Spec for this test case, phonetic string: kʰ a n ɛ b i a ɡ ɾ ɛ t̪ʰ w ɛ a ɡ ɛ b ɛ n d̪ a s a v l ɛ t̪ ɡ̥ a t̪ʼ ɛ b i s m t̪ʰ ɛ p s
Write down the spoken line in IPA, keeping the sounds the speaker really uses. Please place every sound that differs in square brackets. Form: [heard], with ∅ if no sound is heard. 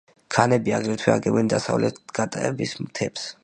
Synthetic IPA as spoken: kʰ a n ɛ b i a ɡ ɾ ɛ t̪ʰ w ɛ a ɡ ɛ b ɛ n d̪ a s a v l ɛ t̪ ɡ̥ a t̪ʼ ɛ b i s m t̪ʰ ɛ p s